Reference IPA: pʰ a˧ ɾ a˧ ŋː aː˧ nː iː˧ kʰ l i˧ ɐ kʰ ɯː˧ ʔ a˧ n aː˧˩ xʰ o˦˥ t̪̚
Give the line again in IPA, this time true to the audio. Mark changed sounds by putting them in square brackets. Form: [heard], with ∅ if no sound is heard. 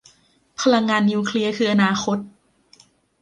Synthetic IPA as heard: pʰ a˧ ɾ a˧ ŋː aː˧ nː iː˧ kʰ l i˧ ɐ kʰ ɯː˧ ʔ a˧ n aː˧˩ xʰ o˦˥ t̪̚